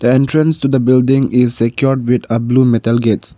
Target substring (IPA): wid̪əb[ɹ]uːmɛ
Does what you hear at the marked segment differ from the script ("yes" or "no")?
yes